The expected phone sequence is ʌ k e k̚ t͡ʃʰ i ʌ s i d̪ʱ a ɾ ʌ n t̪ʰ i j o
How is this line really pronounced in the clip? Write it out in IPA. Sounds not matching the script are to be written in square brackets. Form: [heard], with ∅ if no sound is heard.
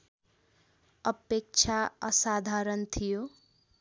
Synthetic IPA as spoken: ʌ [p] e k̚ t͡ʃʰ [a] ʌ s [a] d̪ʱ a ɾ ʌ n t̪ʰ i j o